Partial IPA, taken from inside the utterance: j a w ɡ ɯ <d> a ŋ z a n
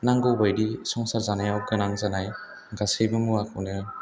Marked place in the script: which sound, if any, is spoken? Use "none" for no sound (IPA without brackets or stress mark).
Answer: n